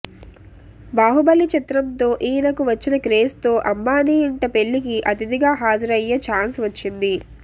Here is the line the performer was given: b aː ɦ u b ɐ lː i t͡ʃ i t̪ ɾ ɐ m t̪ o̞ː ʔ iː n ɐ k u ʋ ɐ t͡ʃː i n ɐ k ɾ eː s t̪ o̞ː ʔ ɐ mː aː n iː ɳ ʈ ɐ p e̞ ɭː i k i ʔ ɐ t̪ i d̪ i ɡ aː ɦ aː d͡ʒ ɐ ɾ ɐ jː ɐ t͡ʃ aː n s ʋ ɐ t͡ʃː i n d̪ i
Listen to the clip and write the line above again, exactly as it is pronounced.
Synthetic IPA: b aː ɦ u b ɐ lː i t͡ʃ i t̪ ɾ ɐ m t̪ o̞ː ʔ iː n ɐ k u ʋ ɐ t͡ʃː i n ɐ k ɾ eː s t̪ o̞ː ʔ ɐ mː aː n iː ɳ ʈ ɐ p e̞ ɭː i k i ʔ ɐ t̪ i d̪ i ɡ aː ɦ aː d͡ʒ ɐ ɾ ɐ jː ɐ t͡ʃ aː n s ʋ ɐ t͡ʃː i n d̪ i